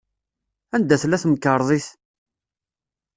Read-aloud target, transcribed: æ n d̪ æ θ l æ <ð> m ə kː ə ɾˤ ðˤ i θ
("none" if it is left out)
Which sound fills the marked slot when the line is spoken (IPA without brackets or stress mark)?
θ